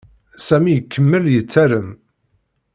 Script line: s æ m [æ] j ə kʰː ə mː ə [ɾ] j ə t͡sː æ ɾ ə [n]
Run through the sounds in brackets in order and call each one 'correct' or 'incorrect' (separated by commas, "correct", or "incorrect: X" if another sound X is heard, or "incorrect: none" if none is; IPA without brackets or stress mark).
incorrect: i, incorrect: l, incorrect: m